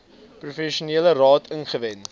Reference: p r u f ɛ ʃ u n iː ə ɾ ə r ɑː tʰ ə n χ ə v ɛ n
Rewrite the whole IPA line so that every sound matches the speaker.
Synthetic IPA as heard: p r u f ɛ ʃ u n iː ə l ə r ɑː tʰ ə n χ ə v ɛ n

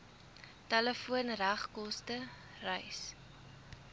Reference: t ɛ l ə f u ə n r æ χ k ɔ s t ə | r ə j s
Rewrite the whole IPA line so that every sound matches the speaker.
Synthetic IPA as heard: t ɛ l ə f u ə n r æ χ k ɔ s t ə | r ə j s

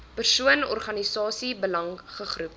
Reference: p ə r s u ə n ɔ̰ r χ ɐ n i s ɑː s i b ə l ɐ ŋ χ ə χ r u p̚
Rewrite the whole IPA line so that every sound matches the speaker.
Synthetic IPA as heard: p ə r s u ə n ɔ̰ r χ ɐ n i s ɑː s i b ə l ɐ ŋ χ ə χ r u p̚

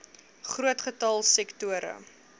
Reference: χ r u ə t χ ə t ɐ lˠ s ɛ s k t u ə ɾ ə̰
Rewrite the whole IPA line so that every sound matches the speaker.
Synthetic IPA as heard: χ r u ə t χ ə t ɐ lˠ s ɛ k t u ə ɾ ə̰

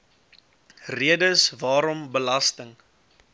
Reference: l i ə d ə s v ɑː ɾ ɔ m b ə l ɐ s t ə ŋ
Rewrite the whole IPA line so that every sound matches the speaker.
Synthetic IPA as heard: r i ə d ə s v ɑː ɾ ɔ m b ə l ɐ s t ə ŋ

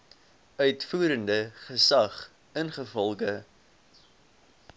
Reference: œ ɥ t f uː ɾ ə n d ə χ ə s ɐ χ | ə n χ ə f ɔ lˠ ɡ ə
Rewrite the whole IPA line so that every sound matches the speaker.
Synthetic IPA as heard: œ ɥ t f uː ɾ ə n d ə χ ə s ɐ χ | ə n χ ə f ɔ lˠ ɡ ə

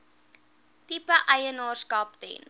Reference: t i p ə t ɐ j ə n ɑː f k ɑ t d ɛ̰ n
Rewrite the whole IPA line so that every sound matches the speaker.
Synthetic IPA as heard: t i p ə ʔ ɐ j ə n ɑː s k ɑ p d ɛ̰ n

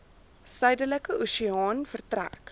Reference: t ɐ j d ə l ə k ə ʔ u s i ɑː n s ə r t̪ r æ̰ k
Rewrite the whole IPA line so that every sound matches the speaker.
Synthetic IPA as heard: s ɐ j d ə l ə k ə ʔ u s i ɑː n f ə r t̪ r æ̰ k

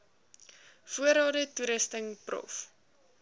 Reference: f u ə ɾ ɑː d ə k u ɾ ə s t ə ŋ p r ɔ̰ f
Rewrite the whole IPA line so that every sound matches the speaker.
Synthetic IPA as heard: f u ə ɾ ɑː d ə t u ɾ ə s t ə ŋ p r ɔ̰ f

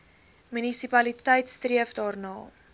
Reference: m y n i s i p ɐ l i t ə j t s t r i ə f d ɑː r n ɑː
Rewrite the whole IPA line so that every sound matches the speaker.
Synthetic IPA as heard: m y n i s i p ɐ l i t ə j t s t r i ə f d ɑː r n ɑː

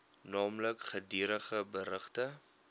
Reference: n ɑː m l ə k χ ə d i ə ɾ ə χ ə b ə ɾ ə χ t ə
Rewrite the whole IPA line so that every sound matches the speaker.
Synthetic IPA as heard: n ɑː m l ə k χ ə d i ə ɾ ə χ ə b ə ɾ ə χ t ə

